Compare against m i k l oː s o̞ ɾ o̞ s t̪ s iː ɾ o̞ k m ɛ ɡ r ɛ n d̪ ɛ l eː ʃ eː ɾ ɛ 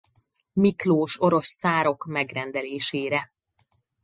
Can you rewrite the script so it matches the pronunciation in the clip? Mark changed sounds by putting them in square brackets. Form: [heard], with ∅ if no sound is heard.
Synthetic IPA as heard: m i k l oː [ʃ] o̞ ɾ o̞ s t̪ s [aː] ɾ o̞ k m ɛ ɡ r ɛ n d̪ ɛ l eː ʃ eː ɾ ɛ